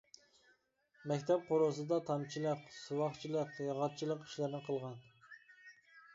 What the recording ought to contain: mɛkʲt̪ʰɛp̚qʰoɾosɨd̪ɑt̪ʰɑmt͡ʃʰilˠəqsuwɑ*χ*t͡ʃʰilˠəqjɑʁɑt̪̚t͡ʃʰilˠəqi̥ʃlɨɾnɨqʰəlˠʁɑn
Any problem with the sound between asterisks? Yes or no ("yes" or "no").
no